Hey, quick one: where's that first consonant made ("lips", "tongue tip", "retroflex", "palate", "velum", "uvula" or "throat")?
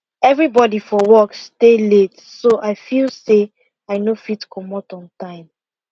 lips